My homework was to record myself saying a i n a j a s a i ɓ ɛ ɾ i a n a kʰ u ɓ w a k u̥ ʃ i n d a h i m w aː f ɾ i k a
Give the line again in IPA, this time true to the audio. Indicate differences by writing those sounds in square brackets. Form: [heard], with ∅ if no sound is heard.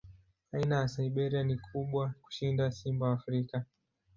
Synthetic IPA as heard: a i n a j a s a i ɓ ɛ ɾ i a n [i] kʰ u ɓ w a k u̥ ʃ i n d a [s] i m [b] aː f ɾ i k a

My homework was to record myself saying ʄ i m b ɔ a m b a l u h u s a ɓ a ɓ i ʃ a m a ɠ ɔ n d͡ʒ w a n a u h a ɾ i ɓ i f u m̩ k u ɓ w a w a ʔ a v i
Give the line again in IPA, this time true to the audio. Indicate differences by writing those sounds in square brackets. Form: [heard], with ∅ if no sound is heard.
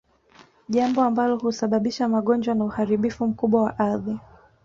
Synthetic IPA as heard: ʄ [a] m b ɔ a m b a l [ɔ] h u s a ɓ a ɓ i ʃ a m a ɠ ɔ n d͡ʒ w a n a u h a ɾ i ɓ i f u m̩ k u ɓ w a w a ʔ a [ð] i

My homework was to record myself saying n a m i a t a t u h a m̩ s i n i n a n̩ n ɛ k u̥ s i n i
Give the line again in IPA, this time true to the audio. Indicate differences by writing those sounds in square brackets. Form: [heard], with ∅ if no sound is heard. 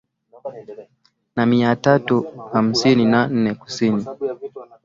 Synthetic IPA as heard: n a m i a t a t u h a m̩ s i n i n a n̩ n ɛ k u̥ s i n i

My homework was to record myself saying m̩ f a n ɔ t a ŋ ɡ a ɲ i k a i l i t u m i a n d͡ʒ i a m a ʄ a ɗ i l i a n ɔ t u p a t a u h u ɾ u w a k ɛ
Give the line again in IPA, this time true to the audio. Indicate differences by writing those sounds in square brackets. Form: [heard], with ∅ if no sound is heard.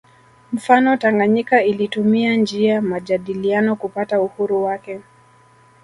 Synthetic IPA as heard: m̩ f a n ɔ t a ŋ ɡ a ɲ i k a i l i t u m i a n d͡ʒ i a m a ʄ a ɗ i l i a n ɔ [k] u p a t a u h u ɾ u w a k ɛ

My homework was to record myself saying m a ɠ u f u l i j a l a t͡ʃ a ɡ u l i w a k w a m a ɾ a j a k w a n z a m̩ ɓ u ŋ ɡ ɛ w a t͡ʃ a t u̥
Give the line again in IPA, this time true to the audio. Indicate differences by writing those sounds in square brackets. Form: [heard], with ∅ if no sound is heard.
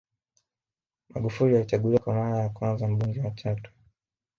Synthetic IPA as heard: m a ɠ u f u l i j a l [i] t͡ʃ a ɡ u l i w a k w a m a ɾ a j a k w a n z a m̩ ɓ u ŋ ɡ ɛ w a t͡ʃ a t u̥

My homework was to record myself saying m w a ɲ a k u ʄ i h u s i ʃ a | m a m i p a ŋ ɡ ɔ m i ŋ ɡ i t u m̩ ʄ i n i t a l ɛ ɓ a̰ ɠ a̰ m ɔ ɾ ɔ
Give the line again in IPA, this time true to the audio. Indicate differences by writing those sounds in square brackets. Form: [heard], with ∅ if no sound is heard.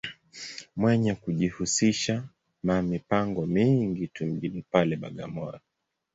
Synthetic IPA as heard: m w [ɛ] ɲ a k u ʄ i h u s i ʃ a | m a m i p a ŋ ɡ ɔ m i ŋ ɡ i t u m̩ ʄ i n i [p] a l ɛ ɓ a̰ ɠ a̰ m ɔ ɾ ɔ

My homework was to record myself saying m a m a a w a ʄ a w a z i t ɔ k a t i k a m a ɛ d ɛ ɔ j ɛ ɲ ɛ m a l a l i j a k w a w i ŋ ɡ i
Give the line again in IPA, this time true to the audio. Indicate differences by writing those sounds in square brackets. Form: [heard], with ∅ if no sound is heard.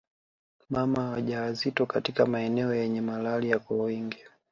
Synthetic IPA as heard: m a m a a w a ʄ a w a z i t ɔ k a t i k a m a ɛ [n] ɛ ɔ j ɛ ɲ ɛ m a l a l i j a k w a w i ŋ ɡ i

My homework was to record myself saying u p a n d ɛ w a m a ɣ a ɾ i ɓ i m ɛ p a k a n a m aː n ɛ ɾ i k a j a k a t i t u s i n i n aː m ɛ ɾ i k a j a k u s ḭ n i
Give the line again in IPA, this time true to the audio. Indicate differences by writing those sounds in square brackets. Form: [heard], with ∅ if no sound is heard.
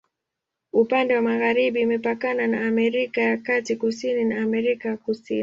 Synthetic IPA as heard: u p a n d ɛ w a m a ɣ a ɾ i ɓ i m ɛ p a k a n a [n] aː [m] ɛ ɾ i k a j a k a t i [k] u s i n i n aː m ɛ ɾ i k a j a k u s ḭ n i

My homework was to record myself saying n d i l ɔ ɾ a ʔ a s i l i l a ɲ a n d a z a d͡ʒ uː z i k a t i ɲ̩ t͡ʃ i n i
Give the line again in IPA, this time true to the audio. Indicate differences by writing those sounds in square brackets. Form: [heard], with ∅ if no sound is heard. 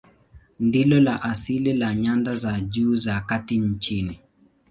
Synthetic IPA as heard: n d i l ɔ [l] a ʔ a s i l i l a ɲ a n d a z a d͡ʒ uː z [a] k a t i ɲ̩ t͡ʃ i n i

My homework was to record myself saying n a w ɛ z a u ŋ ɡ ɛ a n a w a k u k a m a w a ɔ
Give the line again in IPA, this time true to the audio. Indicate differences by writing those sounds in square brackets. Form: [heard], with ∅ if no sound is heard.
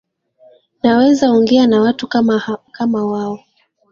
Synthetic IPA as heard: n a w ɛ z a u ŋ ɡ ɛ a n a w a [t] u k a m a w a ɔ

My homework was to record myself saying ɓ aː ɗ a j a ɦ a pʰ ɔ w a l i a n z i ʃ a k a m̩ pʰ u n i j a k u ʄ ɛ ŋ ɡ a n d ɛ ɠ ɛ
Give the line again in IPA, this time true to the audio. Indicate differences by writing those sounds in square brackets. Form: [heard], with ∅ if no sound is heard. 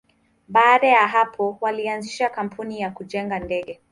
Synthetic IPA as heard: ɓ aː ɗ a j a ɦ a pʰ ɔ w a l i a n z i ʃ a k a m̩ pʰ u n i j a k u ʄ ɛ ŋ ɡ a n d ɛ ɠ ɛ

